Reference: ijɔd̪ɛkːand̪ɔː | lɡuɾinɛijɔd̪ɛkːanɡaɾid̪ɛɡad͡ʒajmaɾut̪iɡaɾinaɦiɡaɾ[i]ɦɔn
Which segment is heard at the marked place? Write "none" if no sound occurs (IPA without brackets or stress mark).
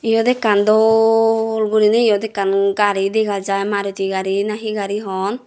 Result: i